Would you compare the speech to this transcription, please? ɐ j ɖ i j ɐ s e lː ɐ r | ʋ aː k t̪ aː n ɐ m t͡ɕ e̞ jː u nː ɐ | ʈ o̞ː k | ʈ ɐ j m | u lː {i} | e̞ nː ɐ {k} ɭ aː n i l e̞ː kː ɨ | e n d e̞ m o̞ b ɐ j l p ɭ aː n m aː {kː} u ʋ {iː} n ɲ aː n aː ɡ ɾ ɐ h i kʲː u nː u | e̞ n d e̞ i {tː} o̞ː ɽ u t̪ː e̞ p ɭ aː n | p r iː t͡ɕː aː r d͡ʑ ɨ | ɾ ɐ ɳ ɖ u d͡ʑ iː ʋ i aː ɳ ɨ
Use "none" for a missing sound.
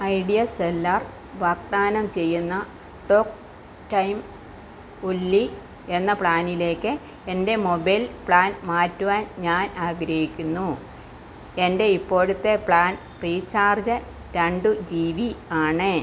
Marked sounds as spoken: i, p, tː, aː, pː

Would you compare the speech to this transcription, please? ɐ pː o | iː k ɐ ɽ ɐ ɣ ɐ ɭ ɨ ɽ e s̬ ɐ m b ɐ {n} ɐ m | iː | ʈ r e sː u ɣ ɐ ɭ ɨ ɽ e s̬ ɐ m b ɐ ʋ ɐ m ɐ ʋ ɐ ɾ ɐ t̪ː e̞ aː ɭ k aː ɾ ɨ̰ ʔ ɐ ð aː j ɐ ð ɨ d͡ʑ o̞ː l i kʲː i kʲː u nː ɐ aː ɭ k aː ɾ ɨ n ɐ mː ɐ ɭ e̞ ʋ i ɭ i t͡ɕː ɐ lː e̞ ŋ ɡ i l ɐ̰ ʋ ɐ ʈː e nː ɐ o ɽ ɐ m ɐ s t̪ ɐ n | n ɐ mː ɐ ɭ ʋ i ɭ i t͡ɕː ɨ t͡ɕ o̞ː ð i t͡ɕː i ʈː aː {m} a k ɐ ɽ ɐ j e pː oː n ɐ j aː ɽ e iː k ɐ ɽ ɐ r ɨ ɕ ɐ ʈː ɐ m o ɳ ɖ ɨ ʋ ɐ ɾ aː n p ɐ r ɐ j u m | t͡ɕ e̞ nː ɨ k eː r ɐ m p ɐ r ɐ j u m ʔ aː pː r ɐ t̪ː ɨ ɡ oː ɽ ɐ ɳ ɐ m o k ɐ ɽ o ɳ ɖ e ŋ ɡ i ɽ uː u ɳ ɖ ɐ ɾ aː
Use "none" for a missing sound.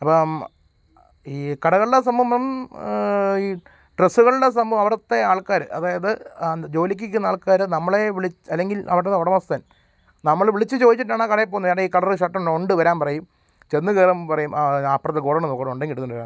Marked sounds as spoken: m, ɳ

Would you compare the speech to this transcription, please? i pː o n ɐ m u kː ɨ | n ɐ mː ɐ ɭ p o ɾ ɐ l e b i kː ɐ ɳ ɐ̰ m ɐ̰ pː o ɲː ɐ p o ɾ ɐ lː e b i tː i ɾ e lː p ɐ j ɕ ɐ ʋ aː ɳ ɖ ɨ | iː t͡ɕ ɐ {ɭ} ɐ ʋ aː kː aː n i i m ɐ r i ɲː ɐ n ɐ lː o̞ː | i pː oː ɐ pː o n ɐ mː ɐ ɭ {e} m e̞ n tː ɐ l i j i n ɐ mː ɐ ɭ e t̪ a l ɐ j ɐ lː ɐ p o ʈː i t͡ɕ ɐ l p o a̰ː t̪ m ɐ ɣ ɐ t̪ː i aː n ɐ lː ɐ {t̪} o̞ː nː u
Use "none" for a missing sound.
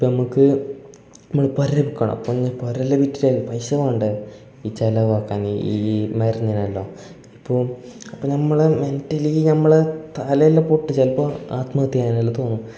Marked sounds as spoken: l, e, t̪

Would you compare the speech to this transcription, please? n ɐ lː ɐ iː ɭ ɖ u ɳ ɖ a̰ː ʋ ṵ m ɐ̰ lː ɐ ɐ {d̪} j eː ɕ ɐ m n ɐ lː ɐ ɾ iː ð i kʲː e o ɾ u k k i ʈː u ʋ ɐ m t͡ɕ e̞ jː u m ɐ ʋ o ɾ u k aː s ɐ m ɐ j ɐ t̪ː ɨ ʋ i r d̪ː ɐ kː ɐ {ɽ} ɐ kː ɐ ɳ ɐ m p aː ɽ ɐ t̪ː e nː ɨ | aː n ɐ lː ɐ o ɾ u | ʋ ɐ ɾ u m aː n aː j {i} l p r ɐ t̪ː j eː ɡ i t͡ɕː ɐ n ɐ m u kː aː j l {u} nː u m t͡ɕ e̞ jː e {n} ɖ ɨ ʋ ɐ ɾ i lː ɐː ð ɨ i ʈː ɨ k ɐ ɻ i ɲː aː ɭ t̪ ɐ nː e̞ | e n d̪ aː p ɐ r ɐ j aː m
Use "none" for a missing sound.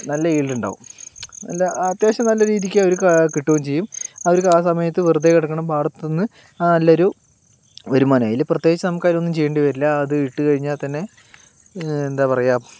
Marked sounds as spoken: t̪, ɽ, i, o, ɳ

